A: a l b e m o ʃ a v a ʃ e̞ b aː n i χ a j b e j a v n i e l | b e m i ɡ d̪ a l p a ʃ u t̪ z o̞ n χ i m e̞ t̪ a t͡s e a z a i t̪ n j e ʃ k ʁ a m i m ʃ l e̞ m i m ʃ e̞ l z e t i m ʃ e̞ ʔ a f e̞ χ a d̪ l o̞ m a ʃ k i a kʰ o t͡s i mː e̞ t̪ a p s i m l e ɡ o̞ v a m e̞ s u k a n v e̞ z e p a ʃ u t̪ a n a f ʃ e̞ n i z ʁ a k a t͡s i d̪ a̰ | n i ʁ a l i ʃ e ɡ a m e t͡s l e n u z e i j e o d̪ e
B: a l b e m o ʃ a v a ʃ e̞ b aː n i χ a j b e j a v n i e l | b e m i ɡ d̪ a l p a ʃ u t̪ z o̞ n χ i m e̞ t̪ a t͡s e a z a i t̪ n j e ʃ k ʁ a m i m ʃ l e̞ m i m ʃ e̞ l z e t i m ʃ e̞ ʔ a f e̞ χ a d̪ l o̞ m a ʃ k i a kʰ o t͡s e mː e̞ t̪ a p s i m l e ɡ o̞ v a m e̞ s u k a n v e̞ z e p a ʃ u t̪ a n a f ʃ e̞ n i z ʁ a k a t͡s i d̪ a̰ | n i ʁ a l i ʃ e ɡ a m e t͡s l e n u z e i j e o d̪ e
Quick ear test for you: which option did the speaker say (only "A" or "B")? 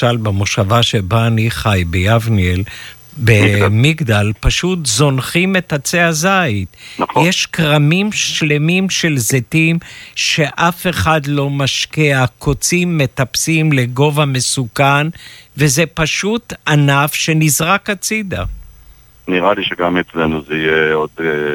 A